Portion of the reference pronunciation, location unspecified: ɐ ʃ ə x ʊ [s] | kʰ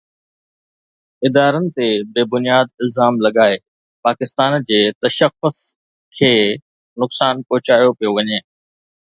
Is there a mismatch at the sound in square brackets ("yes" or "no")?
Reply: no